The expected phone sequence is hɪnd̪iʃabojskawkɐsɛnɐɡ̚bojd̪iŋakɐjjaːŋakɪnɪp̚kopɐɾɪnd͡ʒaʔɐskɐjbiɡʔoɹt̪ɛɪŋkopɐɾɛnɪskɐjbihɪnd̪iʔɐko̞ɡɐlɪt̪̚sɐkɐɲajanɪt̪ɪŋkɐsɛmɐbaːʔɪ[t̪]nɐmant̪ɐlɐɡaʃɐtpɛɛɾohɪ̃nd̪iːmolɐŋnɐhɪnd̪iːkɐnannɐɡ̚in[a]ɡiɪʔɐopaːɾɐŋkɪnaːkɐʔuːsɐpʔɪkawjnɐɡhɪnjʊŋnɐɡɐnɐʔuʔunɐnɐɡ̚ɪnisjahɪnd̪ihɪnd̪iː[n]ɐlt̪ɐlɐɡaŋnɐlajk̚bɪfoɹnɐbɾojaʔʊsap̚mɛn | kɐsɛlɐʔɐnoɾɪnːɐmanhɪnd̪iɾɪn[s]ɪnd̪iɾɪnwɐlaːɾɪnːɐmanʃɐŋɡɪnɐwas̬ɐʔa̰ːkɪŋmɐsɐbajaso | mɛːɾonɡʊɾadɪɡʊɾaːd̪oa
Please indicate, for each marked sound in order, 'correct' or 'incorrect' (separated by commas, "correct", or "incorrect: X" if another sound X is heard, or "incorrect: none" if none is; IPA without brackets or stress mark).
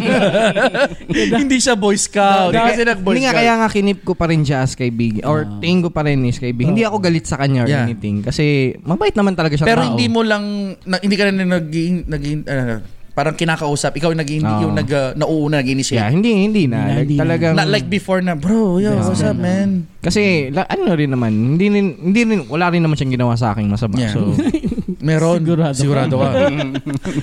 correct, incorrect: ɐ, correct, incorrect: h